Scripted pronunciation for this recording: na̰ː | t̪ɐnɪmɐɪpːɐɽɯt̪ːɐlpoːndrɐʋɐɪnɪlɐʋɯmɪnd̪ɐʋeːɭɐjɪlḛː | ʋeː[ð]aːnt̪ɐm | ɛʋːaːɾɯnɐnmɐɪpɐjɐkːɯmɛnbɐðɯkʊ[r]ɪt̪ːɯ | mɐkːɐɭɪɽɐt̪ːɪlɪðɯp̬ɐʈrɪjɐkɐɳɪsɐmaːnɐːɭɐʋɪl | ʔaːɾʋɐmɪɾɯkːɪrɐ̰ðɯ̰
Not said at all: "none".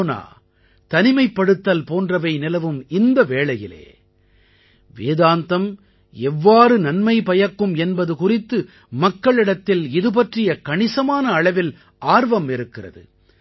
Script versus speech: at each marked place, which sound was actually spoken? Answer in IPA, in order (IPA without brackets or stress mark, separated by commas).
ð, r